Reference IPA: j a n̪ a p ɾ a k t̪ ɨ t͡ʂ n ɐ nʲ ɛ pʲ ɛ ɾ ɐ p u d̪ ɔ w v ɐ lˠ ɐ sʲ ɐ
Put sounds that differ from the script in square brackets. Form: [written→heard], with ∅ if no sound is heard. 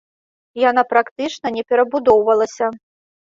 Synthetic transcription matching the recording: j a n̪ a p ɾ a k t̪ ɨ t͡ʂ n ɐ nʲ ɛ pʲ ɛ ɾ ɐ [p→b] u d̪ ɔ w v ɐ lˠ ɐ sʲ ɐ

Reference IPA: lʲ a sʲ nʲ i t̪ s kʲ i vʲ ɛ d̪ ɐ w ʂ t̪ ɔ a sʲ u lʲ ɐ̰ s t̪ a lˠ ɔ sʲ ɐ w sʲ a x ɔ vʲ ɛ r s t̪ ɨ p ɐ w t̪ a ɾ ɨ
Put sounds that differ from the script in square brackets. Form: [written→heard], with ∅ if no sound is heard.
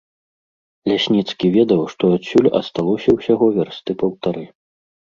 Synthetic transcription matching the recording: lʲ a sʲ nʲ i t̪ s kʲ i vʲ ɛ d̪ ɐ w ʂ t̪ ɔ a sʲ u lʲ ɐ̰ s t̪ a lˠ ɔ sʲ ɐ w sʲ a [x→ɣ] ɔ vʲ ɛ r s t̪ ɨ p ɐ w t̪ a ɾ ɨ

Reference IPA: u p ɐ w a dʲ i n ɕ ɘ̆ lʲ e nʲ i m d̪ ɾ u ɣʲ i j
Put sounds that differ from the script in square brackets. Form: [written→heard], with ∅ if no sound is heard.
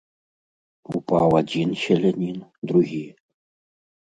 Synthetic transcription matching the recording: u p [ɐ→ɑ] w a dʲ i n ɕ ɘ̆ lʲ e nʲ i [m→n] d̪ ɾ u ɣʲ i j

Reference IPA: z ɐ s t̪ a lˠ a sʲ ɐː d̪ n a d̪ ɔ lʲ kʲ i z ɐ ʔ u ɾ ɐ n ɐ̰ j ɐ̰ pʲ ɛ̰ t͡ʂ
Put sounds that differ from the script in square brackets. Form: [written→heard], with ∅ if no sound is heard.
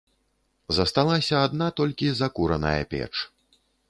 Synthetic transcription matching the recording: z ɐ s t̪ a lˠ a sʲ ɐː d̪ n a [d̪→t̪] ɔ lʲ kʲ i z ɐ [ʔ→k] u ɾ ɐ n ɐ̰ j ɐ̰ pʲ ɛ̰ t͡ʂ

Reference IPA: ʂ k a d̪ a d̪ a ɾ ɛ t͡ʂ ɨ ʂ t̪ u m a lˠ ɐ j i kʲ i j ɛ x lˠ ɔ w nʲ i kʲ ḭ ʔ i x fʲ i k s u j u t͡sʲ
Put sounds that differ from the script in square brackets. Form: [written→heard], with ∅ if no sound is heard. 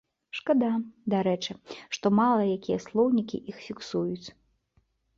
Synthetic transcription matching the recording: ʂ k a d̪ a d̪ a ɾ ɛ t͡ʂ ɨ ʂ t̪ [u→ɔ] m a lˠ ɐ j [i→a] kʲ i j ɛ [x→s] lˠ ɔ w nʲ i kʲ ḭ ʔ i x fʲ i k s u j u t͡sʲ

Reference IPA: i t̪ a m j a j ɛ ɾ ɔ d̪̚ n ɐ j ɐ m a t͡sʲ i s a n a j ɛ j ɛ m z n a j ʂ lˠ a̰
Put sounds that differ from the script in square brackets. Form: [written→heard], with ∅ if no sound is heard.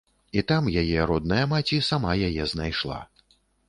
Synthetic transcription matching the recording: i t̪ a m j a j ɛ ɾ ɔ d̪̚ n ɐ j ɐ m a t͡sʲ i s a [n→m] a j [ɛ→a] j ɛ [m→∅] z n a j ʂ lˠ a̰

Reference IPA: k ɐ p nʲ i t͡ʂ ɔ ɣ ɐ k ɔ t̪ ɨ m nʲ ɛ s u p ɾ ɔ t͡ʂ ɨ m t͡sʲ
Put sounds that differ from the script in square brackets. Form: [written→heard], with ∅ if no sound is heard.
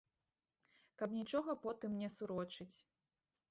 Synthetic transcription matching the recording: k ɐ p nʲ i t͡ʂ ɔ ɣ ɐ [k→p] ɔ t̪ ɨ m nʲ ɛ s u [p→∅] ɾ ɔ t͡ʂ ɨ [m→∅] t͡sʲ

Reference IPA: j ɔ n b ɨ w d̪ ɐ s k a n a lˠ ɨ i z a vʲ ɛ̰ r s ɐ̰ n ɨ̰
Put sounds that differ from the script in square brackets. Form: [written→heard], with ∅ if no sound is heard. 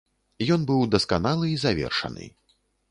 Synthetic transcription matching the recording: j ɔ n b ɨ w d̪ ɐ s k a n a lˠ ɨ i z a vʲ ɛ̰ r [s→ʂ] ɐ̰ n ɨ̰

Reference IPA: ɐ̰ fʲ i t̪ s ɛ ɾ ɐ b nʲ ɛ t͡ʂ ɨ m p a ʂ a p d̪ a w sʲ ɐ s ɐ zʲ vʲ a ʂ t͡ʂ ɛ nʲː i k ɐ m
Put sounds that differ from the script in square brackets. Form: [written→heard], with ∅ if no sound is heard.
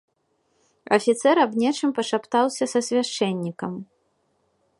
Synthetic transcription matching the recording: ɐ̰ fʲ i t̪ s ɛ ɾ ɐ b nʲ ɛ t͡ʂ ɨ m p [a→ɐ] ʂ a p [d̪→t̪] a w sʲ ɐ s ɐ [zʲ→sʲ] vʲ a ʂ t͡ʂ ɛ nʲː i k ɐ m

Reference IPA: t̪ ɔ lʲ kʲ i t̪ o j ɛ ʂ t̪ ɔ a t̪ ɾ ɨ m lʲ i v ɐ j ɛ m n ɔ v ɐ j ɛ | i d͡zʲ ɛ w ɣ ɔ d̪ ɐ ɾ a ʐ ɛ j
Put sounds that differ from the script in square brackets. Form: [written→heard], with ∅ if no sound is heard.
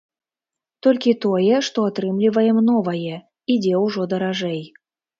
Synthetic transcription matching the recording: t̪ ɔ lʲ kʲ i t̪ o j ɛ ʂ t̪ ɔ a t̪ ɾ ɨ m lʲ i v ɐ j ɛ m n ɔ v ɐ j ɛ | i d͡zʲ ɛ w [ɣ→ʐ] ɔ d̪ ɐ ɾ a ʐ ɛ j

